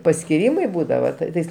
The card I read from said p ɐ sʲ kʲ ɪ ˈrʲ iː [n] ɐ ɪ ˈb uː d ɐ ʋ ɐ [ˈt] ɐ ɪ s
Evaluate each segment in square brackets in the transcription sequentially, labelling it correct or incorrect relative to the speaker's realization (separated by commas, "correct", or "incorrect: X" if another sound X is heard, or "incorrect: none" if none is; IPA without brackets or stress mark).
incorrect: m, correct